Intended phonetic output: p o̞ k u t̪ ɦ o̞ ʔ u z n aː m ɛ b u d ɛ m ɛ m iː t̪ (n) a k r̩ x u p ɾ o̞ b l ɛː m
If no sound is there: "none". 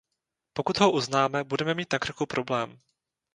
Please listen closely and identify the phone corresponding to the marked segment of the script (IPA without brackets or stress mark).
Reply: n